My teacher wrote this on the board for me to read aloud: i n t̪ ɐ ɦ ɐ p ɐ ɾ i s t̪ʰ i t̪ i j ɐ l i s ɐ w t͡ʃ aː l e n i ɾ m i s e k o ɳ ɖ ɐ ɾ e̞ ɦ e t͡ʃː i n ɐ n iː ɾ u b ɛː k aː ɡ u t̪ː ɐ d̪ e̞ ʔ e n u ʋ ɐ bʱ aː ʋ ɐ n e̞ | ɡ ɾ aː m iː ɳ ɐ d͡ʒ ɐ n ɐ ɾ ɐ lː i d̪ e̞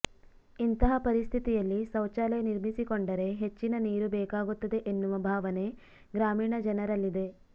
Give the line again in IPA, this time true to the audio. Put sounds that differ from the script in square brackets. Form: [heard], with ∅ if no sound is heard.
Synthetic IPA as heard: i n t̪ ɐ ɦ ɐ p ɐ ɾ i s t̪ʰ i t̪ i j ɐ [lː] i s ɐ w t͡ʃ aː l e n i ɾ m i s [i] k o ɳ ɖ ɐ ɾ e̞ ɦ e t͡ʃː i n ɐ n iː ɾ u b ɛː k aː ɡ u t̪ː ɐ d̪ e̞ ʔ e [nː] u ʋ ɐ bʱ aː ʋ ɐ n e̞ | ɡ ɾ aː m iː ɳ ɐ d͡ʒ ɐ n ɐ ɾ ɐ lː i d̪ e̞